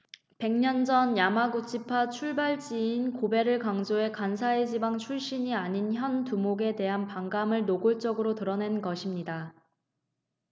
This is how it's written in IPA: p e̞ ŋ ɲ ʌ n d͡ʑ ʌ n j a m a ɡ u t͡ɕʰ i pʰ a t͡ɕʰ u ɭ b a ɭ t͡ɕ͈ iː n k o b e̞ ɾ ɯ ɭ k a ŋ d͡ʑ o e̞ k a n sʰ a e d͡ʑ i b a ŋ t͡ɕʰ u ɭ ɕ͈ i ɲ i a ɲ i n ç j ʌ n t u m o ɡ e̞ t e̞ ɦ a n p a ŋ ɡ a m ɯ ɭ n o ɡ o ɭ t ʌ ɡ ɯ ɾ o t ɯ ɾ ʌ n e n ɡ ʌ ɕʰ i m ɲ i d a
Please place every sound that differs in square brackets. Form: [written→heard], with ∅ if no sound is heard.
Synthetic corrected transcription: p e̞ ŋ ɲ ʌ n d͡ʑ ʌ n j a m a ɡ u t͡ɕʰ i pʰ a t͡ɕʰ u ɭ b a ɭ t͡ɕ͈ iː n k o b e̞ ɾ ɯ ɭ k a ŋ d͡ʑ o e̞ k a n sʰ a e d͡ʑ i b a ŋ t͡ɕʰ u ɭ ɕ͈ i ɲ i a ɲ i n ç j ʌ n t u m o ɡ e̞ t e̞ ɦ a n p a ŋ ɡ a m ɯ ɭ n o ɡ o ɭ [t→t͡ɕ͈] ʌ ɡ ɯ ɾ o t ɯ ɾ ʌ n e n ɡ ʌ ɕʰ i m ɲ i d a